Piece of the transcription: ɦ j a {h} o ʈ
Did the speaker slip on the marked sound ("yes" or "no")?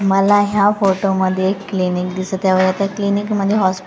yes